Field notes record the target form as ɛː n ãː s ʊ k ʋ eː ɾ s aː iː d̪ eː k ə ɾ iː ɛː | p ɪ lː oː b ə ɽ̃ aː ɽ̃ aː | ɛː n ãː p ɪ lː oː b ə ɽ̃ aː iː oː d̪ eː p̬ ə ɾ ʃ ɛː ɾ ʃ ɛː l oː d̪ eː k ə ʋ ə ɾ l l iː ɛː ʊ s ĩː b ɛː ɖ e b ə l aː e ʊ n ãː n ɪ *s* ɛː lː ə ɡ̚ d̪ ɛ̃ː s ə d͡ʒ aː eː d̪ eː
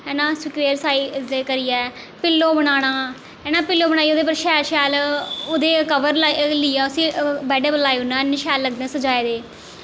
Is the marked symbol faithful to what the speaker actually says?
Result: no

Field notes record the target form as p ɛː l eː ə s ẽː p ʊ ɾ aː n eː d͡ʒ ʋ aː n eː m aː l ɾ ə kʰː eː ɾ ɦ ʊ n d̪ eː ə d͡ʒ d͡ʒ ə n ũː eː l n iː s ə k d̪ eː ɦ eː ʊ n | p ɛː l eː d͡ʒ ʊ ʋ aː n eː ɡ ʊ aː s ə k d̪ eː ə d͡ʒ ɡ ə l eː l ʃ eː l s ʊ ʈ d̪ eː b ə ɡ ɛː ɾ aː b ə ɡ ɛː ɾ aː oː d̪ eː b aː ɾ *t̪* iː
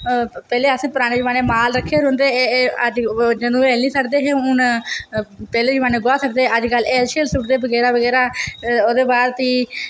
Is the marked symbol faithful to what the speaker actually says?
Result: yes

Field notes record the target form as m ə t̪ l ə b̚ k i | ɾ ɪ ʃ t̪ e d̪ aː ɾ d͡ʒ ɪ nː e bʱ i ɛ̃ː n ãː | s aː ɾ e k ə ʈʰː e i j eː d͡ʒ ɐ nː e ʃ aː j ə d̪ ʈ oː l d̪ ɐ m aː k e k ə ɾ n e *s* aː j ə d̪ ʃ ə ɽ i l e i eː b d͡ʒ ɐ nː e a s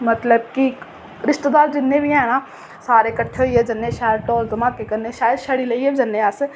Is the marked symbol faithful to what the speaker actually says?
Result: no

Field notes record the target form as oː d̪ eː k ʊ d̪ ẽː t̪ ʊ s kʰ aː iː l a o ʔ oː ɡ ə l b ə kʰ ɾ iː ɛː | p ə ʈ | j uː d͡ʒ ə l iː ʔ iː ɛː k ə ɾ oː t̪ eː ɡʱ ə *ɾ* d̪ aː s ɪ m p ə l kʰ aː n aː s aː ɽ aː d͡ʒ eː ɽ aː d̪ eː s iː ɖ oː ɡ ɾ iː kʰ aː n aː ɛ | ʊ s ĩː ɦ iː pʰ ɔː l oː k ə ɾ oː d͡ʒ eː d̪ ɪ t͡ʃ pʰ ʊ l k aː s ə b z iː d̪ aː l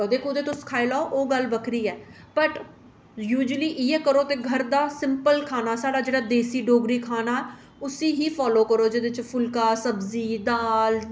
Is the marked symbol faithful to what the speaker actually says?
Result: yes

